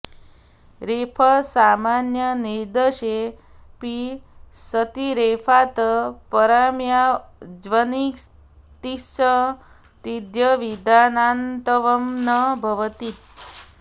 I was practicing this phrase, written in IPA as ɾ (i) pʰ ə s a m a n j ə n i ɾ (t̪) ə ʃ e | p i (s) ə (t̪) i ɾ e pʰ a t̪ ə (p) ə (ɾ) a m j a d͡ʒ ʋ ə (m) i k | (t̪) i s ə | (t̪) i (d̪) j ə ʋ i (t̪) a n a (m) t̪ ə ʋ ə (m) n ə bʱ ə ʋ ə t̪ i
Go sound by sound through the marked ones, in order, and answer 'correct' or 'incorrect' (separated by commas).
incorrect, incorrect, correct, correct, correct, correct, incorrect, correct, correct, correct, incorrect, incorrect, correct